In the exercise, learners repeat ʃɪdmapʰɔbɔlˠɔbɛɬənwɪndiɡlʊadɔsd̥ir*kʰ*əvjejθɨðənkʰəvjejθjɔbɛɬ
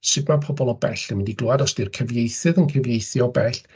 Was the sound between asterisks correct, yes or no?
yes